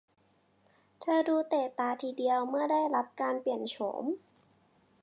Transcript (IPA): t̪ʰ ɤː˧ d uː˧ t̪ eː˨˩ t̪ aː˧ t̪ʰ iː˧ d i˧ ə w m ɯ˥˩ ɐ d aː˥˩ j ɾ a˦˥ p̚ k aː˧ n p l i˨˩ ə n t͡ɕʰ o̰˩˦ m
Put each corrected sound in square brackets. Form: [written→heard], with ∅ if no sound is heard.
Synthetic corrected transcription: t̪ʰ ɤː˧ d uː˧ t̪ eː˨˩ t̪ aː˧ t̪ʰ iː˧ d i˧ ə w m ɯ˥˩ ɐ d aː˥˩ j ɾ a˦˥ p̚ k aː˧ n p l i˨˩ ə n t͡ɕʰ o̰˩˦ m